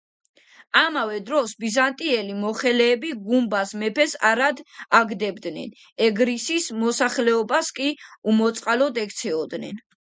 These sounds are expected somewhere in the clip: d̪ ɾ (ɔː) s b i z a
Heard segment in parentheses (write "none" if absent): ɔ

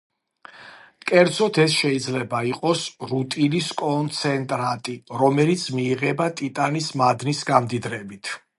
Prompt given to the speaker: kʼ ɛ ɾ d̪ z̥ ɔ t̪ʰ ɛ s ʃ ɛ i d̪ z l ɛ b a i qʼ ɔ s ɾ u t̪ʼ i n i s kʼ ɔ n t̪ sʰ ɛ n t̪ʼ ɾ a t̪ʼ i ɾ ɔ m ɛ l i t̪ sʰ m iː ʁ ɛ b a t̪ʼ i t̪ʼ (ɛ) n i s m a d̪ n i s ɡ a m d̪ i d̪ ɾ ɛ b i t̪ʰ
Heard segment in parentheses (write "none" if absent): a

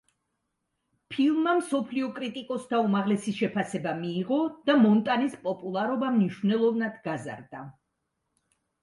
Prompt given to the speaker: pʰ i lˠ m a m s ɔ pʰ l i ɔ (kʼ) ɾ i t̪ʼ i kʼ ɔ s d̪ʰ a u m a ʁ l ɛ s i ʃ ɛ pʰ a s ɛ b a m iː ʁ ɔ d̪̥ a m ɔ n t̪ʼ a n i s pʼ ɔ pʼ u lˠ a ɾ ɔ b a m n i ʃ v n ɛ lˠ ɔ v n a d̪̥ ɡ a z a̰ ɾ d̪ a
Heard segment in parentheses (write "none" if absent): kʼ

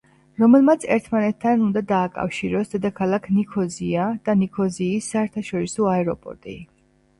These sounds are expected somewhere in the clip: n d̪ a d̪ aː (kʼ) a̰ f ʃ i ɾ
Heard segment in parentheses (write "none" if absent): kʼ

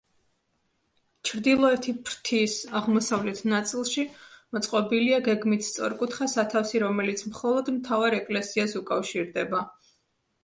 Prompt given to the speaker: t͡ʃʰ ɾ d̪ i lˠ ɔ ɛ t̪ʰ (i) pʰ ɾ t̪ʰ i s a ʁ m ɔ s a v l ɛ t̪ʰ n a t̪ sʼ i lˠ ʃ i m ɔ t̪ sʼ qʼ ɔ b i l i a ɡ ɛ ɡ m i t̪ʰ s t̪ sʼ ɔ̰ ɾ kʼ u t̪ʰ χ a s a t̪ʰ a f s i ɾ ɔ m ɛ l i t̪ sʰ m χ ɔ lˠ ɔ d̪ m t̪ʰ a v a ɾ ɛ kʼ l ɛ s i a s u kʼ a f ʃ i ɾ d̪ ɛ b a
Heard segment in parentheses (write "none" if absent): i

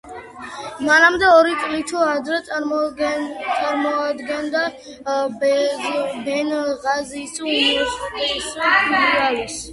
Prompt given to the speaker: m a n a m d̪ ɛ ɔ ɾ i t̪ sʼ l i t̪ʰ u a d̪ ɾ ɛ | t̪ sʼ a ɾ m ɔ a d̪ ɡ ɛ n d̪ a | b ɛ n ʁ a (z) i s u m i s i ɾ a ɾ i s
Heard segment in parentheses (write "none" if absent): z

